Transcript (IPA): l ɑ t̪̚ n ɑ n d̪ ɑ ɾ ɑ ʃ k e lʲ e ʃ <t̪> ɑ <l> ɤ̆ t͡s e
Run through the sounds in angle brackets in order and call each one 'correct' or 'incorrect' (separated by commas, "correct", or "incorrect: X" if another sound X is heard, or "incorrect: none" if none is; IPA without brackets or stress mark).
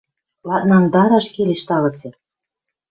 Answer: correct, correct